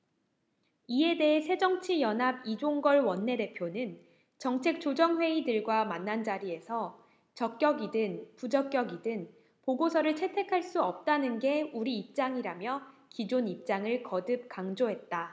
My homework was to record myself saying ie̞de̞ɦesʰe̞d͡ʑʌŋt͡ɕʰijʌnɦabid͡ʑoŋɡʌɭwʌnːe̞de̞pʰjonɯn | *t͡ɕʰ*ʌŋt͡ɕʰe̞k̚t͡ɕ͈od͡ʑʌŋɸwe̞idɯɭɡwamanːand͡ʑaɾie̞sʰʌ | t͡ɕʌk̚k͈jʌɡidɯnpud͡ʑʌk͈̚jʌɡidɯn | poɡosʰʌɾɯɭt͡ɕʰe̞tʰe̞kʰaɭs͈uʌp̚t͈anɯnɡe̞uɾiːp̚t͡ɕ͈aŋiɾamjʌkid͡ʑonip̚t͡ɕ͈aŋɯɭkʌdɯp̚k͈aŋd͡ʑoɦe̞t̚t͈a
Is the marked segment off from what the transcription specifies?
yes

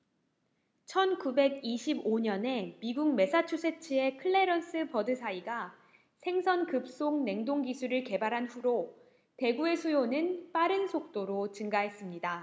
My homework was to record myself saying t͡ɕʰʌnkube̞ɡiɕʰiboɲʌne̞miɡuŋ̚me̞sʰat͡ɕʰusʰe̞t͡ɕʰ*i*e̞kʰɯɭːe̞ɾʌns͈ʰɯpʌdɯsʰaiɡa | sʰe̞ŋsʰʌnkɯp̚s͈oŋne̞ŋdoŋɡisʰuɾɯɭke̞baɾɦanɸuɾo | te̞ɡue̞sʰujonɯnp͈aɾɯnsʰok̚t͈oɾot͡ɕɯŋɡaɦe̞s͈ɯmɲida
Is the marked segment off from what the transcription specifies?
no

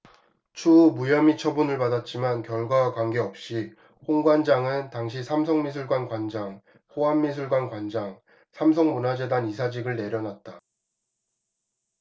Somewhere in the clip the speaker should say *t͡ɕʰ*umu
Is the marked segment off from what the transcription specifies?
no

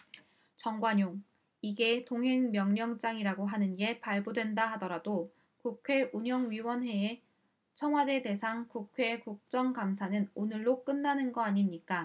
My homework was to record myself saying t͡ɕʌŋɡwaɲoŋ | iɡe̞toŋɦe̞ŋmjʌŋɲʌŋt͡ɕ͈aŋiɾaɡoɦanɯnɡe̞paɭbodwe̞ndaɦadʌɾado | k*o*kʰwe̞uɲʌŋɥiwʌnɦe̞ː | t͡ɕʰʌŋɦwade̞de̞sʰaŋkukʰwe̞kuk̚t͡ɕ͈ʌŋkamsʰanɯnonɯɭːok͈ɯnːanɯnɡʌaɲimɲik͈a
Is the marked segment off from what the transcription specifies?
yes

